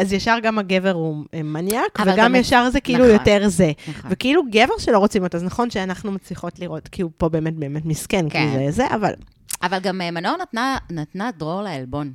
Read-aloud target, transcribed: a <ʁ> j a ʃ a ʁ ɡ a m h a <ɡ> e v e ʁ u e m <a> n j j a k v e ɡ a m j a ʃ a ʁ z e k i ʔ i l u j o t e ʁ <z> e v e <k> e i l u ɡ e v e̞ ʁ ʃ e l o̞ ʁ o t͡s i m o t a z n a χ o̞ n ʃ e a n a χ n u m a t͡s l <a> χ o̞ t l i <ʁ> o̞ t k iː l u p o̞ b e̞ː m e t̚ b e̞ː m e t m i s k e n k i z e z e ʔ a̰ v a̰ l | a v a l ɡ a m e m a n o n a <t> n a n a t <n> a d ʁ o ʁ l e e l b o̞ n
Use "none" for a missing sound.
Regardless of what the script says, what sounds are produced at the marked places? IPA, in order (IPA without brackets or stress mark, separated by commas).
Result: z, ɡ, a, z, k, i, ʁ, t, n